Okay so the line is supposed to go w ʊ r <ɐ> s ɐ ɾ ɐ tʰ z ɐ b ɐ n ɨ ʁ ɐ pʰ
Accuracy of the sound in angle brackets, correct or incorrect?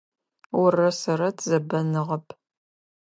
correct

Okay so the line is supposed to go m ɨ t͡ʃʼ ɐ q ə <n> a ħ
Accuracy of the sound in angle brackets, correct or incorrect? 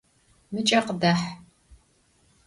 incorrect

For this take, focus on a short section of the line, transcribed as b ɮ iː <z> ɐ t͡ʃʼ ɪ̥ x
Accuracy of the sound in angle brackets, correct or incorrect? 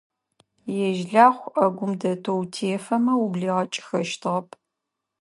incorrect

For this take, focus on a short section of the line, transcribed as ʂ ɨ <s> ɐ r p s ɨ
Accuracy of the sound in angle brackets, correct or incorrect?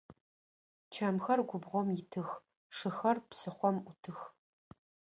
incorrect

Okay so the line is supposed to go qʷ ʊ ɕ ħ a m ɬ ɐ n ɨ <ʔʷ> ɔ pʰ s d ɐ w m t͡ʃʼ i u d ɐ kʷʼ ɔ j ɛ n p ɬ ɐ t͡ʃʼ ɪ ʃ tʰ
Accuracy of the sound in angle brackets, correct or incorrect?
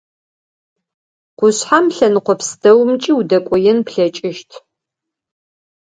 incorrect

